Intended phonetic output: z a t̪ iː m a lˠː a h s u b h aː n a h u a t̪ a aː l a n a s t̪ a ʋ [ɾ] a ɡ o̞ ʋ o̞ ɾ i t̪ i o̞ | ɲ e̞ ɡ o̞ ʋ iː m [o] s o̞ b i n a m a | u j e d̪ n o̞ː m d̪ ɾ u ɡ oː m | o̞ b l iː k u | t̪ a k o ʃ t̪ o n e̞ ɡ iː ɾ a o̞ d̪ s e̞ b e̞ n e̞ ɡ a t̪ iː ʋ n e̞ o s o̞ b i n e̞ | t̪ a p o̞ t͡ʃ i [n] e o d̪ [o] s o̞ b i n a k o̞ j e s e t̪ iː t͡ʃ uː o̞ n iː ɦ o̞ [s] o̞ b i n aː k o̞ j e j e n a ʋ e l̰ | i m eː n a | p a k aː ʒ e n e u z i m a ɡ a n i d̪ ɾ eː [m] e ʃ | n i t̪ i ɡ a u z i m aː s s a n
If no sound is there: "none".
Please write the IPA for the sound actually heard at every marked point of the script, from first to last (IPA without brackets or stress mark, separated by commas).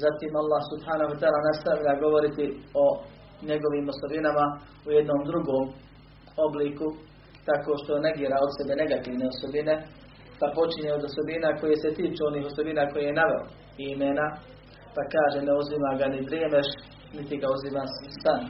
ʎ, o, ɲ, o, s, m